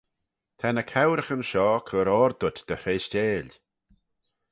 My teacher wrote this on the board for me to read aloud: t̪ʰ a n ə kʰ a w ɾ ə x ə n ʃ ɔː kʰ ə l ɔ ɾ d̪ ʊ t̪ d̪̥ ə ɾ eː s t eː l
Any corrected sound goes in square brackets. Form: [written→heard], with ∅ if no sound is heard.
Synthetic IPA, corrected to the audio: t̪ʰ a n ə kʰ a w ɾ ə x ə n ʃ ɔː kʰ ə [l→ɾ] ɔ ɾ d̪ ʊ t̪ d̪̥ ə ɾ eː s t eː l